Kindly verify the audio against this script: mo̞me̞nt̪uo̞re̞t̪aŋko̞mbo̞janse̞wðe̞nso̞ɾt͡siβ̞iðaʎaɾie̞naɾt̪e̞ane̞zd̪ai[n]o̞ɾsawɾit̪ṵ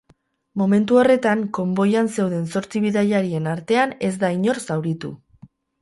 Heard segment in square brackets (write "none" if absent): ɲ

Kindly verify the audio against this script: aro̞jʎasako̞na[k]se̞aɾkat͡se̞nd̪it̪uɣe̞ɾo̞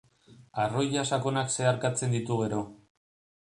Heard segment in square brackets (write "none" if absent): k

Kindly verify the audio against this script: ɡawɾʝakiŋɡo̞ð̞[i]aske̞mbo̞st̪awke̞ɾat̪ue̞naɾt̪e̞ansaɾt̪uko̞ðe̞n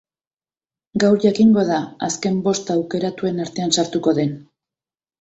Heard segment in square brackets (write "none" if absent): a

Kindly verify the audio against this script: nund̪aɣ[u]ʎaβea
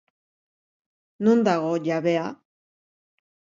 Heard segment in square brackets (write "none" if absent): o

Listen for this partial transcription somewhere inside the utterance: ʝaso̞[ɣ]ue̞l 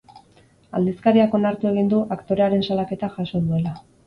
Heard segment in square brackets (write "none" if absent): ð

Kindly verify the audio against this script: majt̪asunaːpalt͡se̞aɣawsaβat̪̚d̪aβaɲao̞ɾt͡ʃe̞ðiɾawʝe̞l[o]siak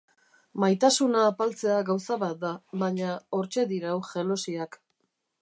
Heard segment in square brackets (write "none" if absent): o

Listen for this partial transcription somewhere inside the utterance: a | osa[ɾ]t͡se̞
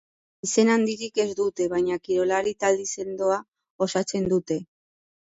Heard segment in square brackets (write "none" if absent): none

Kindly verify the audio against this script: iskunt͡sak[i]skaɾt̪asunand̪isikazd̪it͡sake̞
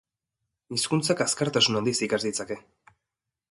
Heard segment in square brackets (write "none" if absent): a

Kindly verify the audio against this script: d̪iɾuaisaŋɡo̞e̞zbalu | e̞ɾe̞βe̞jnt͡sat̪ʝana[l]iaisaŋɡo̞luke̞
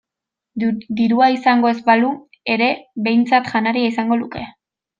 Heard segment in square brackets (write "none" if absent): ɾ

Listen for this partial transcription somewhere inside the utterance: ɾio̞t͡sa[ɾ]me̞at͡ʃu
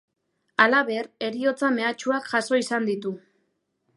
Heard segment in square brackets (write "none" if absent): none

